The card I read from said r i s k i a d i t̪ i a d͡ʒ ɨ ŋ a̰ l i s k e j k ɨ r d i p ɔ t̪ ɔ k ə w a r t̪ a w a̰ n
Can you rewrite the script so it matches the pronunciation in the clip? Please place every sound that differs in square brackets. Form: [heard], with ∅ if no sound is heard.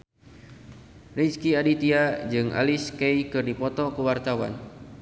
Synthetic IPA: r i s k i a d i t̪ i a d͡ʒ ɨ ŋ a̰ l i s k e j k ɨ r d i p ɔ t̪ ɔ k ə w a r t̪ a w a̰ n

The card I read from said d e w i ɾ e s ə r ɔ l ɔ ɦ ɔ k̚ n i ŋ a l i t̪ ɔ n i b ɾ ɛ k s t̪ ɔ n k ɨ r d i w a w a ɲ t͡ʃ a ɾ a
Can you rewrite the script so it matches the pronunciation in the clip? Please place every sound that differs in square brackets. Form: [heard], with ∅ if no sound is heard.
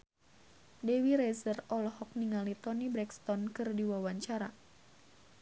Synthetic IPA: d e w i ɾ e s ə r ɔ l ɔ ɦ ɔ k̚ n i ŋ a l i t̪ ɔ n i b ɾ ɛ k s t̪ ɔ n k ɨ r d i w a w a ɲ t͡ʃ a ɾ a

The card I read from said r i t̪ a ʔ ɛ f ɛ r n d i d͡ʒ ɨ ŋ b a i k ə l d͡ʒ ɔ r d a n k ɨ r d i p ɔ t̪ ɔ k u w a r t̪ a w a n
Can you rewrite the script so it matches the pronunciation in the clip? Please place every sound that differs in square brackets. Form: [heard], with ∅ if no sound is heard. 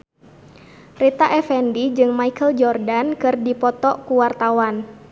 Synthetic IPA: r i t̪ a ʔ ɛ f ɛ [∅] n d i d͡ʒ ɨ ŋ [m] a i k ə l d͡ʒ ɔ r d a n k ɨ r d i p ɔ t̪ ɔ k u w a r t̪ a w a n

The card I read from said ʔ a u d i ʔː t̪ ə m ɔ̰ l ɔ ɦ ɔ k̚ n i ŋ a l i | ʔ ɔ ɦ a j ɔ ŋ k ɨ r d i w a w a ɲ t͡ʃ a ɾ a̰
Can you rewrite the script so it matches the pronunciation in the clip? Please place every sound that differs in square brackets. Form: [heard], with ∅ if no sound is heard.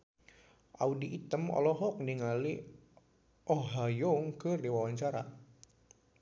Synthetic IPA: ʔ a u d i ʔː t̪ ə m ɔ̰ l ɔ ɦ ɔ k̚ n i ŋ a l i | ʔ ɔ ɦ a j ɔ ŋ k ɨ r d i w a w a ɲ t͡ʃ a ɾ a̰

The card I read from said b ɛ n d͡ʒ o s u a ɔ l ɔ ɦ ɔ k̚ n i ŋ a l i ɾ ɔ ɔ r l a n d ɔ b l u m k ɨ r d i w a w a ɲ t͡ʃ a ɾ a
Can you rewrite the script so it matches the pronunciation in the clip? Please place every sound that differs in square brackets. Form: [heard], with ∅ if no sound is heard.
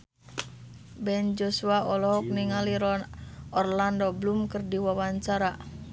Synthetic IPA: b ɛ n d͡ʒ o s u a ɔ l ɔ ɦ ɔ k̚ n i ŋ a l i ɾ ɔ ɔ r l a n d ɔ b l u m k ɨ r d i w a w a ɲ t͡ʃ a ɾ a

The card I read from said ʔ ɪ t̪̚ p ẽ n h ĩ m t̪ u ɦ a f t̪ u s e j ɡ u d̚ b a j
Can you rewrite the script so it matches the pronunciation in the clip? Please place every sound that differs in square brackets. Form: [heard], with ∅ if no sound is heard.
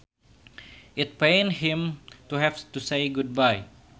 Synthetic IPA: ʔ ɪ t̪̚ p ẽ n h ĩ m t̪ u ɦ [ɛ] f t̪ u s e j ɡ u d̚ b a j

